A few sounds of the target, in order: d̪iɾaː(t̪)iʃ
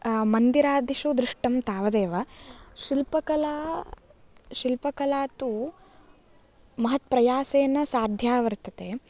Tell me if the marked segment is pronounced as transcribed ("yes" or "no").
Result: no